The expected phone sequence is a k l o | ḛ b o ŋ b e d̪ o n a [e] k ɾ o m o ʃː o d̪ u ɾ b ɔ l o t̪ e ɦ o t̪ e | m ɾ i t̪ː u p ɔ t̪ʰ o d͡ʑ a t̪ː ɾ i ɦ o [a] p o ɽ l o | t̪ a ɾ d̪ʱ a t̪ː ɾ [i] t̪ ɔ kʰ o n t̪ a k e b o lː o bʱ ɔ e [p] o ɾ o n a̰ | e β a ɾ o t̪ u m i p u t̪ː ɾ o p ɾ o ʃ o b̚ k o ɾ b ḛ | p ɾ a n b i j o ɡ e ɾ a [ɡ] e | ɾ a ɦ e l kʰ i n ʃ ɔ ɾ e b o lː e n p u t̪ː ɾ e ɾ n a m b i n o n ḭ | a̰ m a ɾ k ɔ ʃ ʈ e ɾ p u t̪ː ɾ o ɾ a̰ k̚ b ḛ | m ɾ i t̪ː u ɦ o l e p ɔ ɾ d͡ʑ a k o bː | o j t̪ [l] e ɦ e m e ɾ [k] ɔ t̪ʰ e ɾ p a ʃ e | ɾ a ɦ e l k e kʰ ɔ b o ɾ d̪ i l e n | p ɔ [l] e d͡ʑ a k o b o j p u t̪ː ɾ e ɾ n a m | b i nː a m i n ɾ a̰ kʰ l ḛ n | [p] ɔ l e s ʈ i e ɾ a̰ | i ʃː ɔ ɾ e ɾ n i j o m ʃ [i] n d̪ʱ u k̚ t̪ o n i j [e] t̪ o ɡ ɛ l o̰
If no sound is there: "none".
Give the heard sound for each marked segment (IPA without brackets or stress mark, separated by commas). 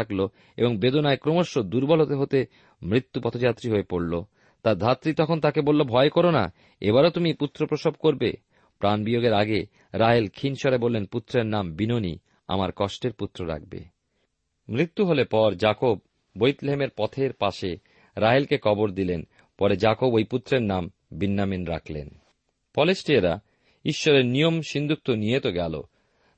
e, e, i, k, ɡ, l, p, ɾ, p, i, e